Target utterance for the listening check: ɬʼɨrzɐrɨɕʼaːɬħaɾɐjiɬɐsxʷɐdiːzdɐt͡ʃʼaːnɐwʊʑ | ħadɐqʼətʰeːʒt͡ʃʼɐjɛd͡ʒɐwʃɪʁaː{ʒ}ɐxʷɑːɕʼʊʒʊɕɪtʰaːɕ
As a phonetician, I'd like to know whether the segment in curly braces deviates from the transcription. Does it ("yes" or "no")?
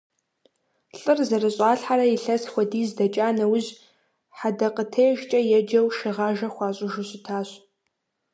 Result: no